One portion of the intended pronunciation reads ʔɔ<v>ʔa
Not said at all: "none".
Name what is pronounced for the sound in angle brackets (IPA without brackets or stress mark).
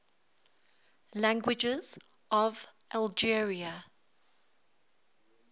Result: v